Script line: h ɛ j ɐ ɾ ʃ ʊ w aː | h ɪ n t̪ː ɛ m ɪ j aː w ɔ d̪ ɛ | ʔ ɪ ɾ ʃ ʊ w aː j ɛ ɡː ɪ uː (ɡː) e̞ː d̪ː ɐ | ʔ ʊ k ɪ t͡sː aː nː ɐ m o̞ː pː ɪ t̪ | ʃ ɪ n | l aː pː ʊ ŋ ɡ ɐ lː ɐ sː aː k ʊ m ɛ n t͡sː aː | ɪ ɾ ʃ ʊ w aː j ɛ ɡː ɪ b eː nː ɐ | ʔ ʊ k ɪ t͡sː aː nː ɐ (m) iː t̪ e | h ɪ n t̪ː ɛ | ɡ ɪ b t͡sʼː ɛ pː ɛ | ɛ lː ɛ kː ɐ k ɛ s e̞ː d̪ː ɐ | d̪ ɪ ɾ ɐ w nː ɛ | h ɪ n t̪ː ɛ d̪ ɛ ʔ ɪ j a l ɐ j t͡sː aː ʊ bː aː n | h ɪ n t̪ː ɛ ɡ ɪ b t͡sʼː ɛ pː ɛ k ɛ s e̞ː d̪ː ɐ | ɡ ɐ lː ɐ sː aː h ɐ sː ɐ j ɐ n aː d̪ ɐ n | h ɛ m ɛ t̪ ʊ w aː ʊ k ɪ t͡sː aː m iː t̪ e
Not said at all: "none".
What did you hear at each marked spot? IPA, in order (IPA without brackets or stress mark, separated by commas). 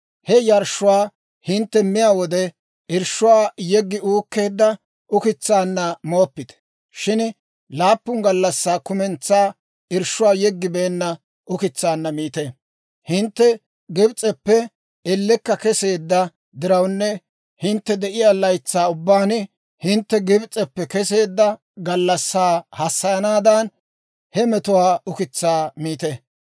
kː, m